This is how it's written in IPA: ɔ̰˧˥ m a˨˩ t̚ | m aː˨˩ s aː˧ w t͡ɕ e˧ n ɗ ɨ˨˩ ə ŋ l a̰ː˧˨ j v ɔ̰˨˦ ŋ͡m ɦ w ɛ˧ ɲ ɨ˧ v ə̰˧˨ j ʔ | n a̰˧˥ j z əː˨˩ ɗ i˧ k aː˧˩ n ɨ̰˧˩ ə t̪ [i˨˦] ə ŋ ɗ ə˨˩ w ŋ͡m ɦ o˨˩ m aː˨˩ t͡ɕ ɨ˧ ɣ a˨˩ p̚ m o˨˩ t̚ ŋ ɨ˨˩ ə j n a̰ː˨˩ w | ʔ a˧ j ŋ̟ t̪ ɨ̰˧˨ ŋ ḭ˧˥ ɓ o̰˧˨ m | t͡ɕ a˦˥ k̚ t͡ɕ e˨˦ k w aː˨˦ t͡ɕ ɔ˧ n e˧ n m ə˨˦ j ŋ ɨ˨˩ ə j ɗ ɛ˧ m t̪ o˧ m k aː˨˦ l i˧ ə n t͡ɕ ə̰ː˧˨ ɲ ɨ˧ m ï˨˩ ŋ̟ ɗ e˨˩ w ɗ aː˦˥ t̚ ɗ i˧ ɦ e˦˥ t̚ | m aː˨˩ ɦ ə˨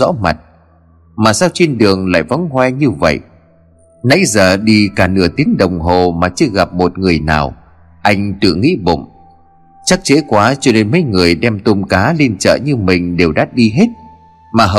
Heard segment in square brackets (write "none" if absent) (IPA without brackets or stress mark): i˨˦